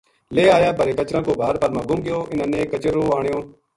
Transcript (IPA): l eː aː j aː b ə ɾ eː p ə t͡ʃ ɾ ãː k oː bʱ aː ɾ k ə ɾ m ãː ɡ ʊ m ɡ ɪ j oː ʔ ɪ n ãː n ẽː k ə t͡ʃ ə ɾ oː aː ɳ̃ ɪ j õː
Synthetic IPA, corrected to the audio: l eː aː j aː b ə ɾ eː k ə t͡ʃ ɾ ãː k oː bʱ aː ɾ p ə ɾ m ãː ɡ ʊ m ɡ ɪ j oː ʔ ɪ n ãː n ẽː k ə t͡ʃ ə ɾ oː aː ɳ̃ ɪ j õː